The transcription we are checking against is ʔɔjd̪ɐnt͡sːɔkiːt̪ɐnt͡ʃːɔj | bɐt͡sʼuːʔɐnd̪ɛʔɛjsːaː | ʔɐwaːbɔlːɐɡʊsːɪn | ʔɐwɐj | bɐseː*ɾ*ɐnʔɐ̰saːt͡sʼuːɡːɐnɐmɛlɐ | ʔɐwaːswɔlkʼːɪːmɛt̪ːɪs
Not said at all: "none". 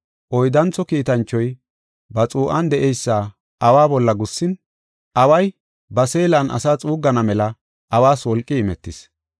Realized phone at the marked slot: l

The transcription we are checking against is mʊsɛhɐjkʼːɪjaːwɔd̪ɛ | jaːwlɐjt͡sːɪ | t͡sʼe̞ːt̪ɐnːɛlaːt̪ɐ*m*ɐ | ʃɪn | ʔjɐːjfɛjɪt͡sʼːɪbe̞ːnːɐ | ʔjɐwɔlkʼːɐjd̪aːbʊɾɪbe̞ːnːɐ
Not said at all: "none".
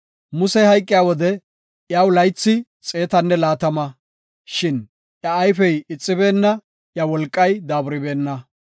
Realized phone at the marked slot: m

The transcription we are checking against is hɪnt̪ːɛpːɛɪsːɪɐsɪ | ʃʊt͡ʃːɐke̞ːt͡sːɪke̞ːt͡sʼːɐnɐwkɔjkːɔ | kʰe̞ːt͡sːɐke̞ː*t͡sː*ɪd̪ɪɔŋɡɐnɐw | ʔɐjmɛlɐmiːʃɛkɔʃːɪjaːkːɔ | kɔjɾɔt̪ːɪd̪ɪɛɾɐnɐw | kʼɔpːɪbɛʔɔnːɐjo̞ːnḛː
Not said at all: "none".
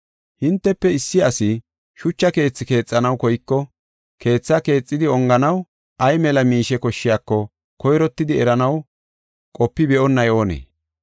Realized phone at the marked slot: t͡sʼː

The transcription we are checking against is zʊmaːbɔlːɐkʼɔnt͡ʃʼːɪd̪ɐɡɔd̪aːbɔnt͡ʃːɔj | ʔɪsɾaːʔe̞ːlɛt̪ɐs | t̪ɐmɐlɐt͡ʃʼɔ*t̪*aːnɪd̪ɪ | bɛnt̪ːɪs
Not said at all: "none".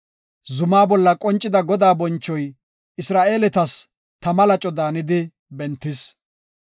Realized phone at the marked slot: d̪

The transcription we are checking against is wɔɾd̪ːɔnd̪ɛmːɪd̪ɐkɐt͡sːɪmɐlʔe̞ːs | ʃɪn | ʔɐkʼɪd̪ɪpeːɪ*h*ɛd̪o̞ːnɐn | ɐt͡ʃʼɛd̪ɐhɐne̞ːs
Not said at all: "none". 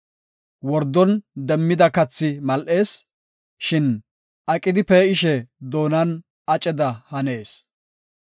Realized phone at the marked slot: ʃ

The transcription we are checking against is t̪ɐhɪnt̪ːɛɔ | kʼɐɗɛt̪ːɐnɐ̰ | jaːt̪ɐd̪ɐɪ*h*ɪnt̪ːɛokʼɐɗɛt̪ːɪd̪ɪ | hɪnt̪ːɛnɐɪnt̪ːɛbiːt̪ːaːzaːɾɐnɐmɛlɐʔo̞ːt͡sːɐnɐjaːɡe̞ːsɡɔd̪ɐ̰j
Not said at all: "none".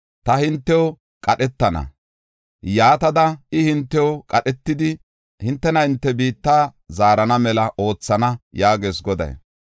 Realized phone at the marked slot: h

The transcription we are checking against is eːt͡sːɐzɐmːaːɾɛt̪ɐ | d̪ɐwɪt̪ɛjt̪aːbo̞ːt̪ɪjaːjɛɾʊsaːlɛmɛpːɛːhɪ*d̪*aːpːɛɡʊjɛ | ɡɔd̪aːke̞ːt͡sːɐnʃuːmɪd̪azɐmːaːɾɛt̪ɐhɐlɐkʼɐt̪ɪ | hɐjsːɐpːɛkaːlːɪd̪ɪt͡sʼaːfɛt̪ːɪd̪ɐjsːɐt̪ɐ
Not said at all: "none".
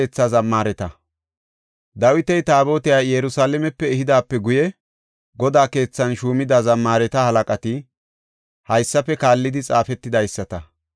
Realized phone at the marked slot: d̪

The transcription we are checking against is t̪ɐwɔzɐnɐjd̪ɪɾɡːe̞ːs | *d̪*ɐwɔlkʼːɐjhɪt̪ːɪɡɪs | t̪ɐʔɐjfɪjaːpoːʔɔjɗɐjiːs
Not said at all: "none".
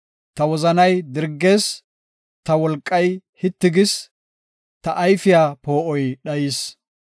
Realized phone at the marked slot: t̪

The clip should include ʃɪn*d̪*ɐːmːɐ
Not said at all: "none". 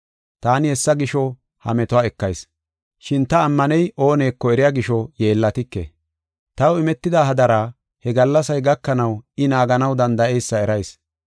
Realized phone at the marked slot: t̪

